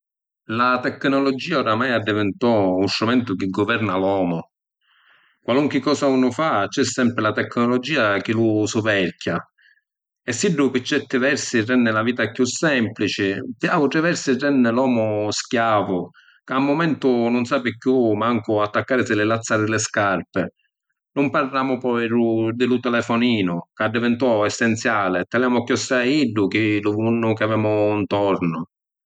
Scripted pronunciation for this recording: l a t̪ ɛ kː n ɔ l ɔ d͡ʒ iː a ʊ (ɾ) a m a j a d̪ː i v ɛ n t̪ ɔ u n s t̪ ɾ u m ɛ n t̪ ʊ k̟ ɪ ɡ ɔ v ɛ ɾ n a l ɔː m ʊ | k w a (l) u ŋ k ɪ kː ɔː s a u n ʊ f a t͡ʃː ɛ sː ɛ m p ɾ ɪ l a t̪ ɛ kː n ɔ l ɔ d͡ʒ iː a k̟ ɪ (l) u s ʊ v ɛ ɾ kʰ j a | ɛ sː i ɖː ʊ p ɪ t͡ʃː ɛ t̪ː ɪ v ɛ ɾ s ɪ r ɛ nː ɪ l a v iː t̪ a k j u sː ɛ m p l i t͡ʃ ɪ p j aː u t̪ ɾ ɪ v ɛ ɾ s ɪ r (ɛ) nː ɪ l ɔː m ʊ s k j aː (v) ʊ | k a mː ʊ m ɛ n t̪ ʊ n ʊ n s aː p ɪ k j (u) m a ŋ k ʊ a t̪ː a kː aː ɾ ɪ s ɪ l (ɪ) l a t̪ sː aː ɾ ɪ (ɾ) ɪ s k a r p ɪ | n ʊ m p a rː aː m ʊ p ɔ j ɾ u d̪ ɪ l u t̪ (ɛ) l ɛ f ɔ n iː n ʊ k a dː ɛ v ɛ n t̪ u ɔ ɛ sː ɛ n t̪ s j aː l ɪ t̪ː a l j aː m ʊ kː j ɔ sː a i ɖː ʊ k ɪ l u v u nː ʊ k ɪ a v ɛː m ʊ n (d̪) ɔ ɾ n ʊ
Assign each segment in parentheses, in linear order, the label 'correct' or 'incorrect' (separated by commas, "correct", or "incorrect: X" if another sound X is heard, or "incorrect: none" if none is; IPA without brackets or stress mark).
correct, correct, correct, correct, correct, correct, correct, incorrect: l, correct, incorrect: t̪